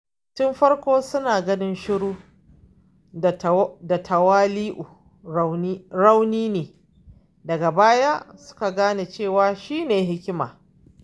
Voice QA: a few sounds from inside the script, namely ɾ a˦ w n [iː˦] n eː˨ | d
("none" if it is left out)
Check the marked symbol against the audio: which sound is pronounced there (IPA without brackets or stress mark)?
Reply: iː˦